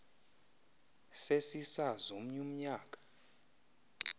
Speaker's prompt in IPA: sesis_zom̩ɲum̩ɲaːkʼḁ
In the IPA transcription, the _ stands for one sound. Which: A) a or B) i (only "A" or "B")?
A